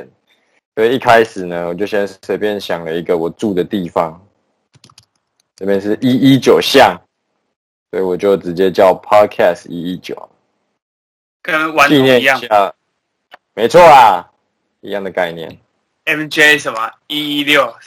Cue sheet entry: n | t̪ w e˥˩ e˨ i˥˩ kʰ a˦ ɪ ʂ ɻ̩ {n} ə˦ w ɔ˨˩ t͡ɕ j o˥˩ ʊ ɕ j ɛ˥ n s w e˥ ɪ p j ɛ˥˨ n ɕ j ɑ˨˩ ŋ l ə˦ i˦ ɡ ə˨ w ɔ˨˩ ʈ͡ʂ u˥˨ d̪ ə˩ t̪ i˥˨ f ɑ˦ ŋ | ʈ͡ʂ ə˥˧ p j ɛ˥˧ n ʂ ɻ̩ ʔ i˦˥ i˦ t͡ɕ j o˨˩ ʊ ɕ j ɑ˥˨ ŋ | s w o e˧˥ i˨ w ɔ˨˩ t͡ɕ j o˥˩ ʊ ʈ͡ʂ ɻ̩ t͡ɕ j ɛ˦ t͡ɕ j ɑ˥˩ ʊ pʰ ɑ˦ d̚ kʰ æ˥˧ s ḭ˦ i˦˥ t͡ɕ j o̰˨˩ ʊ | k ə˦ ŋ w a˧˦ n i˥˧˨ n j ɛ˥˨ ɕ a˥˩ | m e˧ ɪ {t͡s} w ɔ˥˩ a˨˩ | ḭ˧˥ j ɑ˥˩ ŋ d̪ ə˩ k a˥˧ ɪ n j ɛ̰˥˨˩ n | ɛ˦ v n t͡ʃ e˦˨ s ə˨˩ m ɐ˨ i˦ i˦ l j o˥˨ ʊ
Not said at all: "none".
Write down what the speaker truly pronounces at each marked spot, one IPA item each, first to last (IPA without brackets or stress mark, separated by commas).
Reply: n, t͡sʰ